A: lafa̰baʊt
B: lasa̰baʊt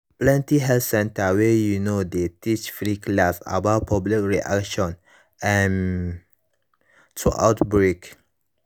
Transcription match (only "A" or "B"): B